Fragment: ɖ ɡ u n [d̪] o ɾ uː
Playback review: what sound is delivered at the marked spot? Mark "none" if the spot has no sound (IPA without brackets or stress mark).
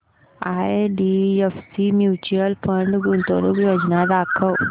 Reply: t̪